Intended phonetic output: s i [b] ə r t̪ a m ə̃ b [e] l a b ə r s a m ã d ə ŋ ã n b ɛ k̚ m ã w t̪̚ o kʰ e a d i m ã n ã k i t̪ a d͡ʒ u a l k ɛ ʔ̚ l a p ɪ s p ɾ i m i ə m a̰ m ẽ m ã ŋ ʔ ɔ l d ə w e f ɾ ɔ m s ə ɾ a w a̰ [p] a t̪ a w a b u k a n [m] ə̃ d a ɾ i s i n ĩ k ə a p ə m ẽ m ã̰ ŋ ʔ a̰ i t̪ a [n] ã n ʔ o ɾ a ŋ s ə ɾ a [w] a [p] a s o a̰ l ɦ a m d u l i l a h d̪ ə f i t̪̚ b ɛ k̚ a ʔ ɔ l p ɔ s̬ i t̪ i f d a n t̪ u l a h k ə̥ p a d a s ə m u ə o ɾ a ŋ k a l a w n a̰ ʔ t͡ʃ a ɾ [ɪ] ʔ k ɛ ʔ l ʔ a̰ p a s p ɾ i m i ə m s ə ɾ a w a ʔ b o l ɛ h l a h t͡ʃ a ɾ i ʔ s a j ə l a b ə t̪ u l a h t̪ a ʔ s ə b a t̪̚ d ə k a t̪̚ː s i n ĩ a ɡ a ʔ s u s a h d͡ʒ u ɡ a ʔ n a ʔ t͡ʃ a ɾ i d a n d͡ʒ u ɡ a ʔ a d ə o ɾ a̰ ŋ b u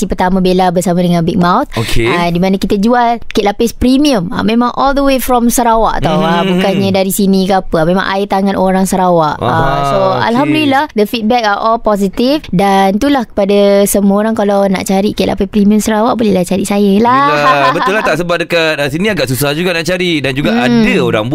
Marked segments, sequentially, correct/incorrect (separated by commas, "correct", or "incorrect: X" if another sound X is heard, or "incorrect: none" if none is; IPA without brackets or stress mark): incorrect: p, correct, incorrect: ʔ, incorrect: ɲ, incorrect: ŋ, correct, incorrect: ʔ, incorrect: i